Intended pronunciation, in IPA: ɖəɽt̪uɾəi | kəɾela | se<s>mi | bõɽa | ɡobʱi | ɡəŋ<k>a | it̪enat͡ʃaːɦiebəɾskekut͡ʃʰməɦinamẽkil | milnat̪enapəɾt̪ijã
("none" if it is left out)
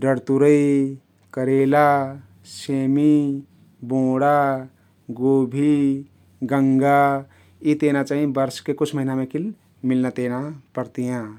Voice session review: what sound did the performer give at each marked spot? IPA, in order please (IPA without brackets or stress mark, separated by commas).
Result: none, ɡ